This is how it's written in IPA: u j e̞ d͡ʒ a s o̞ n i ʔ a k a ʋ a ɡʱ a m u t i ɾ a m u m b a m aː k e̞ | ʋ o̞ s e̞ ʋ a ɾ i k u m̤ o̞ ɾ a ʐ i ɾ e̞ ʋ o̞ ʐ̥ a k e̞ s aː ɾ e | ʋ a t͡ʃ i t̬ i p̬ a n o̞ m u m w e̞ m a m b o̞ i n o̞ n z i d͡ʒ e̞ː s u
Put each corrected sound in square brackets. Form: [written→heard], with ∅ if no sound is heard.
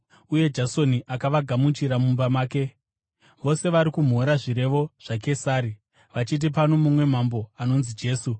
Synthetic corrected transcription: u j e̞ d͡ʒ a s o̞ n i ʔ a k a ʋ a ɡʱ a m u [t→t͡ʃ] i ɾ a m u m b a m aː k e̞ | ʋ o̞ s e̞ ʋ a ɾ i k u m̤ o̞ ɾ a ʐ i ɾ e̞ ʋ o̞ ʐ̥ a k e̞ s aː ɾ [e→i] | ʋ a t͡ʃ i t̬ i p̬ a n o̞ m u m w e̞ m a m b o̞ [i→a] n o̞ n z i d͡ʒ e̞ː s u